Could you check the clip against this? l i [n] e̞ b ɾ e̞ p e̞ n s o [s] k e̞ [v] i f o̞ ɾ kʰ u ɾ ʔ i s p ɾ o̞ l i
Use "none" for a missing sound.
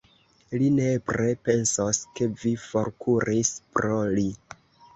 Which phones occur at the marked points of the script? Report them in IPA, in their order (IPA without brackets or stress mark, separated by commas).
n, s, v